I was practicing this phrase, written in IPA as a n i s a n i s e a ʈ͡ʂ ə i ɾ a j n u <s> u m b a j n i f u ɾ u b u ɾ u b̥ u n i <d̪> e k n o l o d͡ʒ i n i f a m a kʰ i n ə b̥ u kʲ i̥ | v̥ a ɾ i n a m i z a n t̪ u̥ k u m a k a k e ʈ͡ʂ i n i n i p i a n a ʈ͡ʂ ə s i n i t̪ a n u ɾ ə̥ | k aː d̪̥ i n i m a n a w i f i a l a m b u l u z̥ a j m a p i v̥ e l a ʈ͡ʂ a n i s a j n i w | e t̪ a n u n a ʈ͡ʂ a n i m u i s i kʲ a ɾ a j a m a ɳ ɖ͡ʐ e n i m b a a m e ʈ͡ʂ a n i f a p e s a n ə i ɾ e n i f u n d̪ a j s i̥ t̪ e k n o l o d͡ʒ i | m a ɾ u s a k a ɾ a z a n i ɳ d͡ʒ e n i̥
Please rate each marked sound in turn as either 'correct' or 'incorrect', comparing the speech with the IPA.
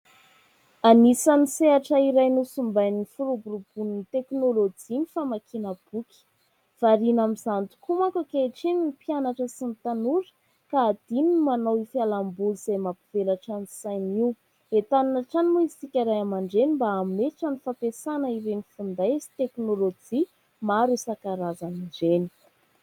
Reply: correct, incorrect: t̪

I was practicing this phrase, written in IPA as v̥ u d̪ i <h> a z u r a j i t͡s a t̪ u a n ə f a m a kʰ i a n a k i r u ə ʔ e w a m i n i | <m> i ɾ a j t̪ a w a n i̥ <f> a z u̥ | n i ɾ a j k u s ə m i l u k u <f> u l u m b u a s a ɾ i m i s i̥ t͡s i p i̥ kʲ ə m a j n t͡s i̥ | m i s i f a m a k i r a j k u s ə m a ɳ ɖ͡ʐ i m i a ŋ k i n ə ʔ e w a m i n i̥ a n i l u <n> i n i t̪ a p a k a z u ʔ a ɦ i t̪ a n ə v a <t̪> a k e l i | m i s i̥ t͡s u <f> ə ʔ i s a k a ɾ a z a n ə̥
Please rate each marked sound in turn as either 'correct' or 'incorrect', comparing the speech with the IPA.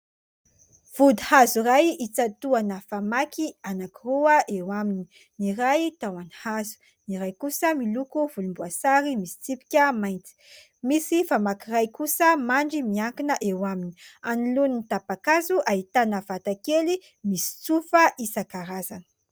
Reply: correct, incorrect: n, incorrect: h, incorrect: v, correct, correct, correct

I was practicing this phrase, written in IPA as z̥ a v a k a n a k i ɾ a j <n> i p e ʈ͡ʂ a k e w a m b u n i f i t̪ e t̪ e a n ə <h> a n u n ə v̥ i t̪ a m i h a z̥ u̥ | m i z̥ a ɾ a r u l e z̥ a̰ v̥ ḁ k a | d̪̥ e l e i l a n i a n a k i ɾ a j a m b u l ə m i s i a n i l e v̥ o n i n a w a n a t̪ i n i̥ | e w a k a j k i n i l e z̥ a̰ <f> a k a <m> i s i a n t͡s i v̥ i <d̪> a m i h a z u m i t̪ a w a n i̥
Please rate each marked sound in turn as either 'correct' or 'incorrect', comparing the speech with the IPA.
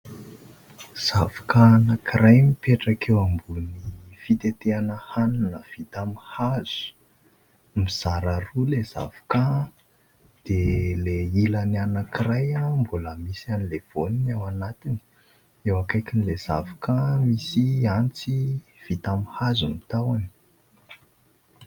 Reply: incorrect: m, correct, incorrect: v, correct, incorrect: t̪

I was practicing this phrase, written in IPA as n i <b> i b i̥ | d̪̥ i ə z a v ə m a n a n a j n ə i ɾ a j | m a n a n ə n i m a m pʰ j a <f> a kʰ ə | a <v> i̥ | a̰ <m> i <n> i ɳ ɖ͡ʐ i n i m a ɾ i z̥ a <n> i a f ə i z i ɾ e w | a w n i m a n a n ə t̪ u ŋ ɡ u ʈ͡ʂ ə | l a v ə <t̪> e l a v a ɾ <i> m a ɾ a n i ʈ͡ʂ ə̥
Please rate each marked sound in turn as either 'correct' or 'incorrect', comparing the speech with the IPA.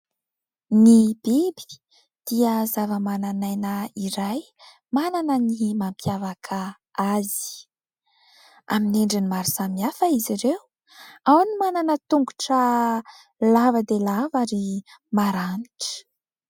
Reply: correct, incorrect: v, incorrect: z, correct, correct, incorrect: m, incorrect: d̪, correct

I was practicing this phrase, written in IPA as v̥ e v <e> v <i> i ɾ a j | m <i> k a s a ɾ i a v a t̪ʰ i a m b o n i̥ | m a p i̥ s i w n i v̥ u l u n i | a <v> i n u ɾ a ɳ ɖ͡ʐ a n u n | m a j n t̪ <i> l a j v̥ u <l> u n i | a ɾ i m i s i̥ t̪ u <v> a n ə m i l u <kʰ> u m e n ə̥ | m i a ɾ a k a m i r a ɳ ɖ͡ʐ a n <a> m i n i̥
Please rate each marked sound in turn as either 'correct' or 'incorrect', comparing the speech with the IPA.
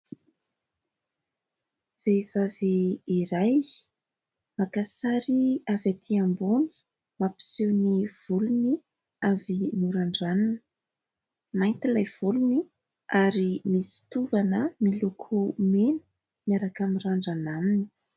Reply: incorrect: a, incorrect: e, incorrect: a, correct, correct, correct, correct, correct, correct

